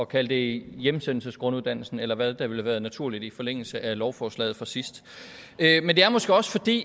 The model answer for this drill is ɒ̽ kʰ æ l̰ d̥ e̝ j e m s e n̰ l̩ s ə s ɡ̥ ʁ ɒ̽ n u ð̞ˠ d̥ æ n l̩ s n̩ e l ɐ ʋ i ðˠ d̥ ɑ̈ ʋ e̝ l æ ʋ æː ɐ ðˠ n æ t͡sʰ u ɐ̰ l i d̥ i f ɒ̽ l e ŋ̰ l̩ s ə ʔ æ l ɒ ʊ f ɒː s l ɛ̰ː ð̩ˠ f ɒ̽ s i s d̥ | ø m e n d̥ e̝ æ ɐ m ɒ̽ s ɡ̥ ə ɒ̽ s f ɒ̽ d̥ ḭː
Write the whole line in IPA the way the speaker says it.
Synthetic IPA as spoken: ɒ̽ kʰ æ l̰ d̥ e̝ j e m s e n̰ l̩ s ə s ɡ̥ ʁ ɔ̽ n u ð̞ˠ d̥ æ n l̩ s n̩ e l ɐ ʋ æ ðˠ d̥ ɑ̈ ʋ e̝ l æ ʋ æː ɐ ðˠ n æ t͡sʰ u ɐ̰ l i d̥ i f ɒ̽ l e ŋ̰ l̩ s ə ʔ æ l ɒ ʊ f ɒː s l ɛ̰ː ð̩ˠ f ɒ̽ s i s d̥ | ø m e n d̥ e̝ æ ɐ m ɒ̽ s ɡ̥ ə ɒ̽ s f ɒ̽ d̥ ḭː